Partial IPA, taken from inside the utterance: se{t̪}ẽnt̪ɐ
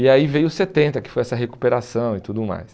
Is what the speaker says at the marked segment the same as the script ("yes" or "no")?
yes